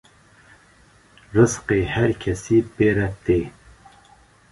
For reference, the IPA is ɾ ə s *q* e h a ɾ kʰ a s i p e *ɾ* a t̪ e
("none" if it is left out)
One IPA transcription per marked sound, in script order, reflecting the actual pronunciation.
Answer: q, ɾ

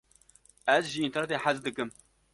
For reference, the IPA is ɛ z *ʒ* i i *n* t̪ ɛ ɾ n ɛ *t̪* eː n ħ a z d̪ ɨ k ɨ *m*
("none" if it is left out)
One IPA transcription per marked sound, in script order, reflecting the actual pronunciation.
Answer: ʒ, n, t̪, m

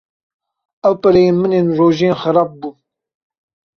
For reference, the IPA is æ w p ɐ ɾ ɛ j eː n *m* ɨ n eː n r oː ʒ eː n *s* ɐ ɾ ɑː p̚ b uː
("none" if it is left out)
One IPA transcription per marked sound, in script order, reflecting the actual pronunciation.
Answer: m, x

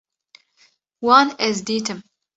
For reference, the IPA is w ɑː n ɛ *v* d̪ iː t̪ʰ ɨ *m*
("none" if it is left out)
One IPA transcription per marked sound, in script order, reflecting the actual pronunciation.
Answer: z, m

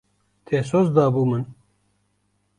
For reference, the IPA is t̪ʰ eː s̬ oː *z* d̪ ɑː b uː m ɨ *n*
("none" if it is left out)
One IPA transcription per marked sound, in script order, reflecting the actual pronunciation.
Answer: z, n

